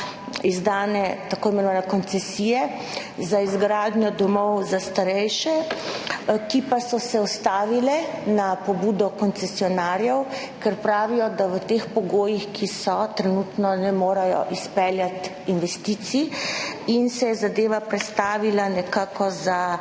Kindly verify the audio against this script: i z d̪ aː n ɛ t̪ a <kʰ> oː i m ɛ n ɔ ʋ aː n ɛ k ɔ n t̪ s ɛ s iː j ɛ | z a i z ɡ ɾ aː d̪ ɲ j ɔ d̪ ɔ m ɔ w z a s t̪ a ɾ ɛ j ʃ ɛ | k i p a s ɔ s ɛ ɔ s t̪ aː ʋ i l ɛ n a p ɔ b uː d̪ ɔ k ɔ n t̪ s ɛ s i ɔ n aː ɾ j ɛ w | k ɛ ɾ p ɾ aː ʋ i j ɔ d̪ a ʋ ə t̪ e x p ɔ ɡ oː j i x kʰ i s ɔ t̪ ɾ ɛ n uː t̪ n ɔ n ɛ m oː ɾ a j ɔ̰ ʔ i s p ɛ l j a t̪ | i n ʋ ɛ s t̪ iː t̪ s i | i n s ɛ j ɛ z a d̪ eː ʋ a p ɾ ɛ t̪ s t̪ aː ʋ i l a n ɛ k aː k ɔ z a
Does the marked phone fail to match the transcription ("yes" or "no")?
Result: yes